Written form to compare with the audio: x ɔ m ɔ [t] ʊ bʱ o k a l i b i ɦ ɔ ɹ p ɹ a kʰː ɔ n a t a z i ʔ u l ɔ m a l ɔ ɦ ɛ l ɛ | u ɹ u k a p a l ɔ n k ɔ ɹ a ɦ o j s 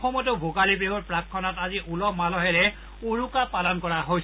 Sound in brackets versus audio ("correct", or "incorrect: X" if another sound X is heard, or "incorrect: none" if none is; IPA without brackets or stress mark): correct